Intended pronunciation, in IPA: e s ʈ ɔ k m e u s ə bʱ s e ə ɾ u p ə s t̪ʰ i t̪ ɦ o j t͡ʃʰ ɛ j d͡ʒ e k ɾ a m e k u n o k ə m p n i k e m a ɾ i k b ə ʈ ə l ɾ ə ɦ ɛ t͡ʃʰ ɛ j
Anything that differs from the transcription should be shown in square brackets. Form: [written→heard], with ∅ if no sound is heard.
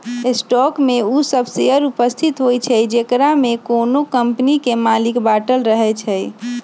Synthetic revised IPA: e s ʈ ɔ k m e u s ə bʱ s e ə ɾ u p ə s t̪ʰ i t̪ ɦ o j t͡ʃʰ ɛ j d͡ʒ e k ɾ a m e k [u→o] n o k ə m p n i k e m a [ɾ→l] i k b [ə→a] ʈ ə l ɾ ə ɦ ɛ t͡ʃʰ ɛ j